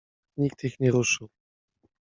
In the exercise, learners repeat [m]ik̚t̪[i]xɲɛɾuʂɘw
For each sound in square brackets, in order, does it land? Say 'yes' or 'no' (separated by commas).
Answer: no, yes